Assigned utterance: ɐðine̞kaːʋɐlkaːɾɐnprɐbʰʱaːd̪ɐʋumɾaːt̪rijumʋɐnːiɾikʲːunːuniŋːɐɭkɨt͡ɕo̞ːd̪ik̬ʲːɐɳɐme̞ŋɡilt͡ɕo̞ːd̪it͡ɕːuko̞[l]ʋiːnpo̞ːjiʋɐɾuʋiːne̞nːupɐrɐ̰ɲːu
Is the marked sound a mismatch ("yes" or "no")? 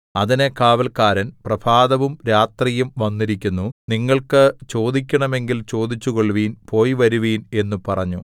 yes